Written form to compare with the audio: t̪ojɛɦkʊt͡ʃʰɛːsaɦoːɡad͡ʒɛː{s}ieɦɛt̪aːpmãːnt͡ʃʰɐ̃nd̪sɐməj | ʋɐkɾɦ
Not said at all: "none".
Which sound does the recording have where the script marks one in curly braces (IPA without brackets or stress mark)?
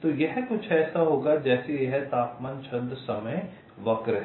s